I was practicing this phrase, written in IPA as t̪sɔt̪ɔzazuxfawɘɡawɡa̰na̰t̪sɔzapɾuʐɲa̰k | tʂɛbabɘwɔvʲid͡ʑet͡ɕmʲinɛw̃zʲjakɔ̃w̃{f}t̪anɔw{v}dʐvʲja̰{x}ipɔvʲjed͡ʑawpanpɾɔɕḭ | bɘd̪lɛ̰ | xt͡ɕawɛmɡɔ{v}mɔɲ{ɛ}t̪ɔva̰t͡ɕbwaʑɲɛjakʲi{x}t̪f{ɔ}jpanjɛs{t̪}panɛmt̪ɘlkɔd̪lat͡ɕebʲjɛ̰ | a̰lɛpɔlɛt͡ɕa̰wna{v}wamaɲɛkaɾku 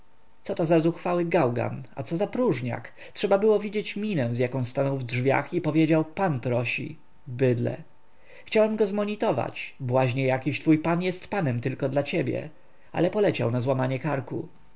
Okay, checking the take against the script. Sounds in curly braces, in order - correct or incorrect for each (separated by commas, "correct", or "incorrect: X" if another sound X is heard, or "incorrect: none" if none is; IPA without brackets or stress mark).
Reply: incorrect: s, correct, correct, incorrect: z, incorrect: i, incorrect: ɕ, incorrect: u, correct, incorrect: z